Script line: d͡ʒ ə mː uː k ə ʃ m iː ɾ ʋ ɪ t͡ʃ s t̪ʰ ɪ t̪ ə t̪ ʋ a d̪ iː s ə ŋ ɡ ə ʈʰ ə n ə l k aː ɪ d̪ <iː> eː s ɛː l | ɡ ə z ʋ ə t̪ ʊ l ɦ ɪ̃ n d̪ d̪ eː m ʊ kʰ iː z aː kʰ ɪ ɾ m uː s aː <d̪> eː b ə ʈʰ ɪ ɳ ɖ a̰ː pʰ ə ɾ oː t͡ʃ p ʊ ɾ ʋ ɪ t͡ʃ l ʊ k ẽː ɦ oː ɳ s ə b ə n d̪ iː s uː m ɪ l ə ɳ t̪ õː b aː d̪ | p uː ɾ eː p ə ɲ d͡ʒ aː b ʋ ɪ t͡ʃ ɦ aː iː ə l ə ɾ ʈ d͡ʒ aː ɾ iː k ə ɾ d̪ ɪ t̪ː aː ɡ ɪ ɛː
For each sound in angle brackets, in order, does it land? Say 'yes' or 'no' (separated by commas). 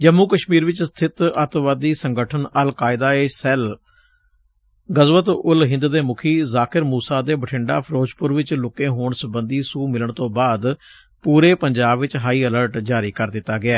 no, yes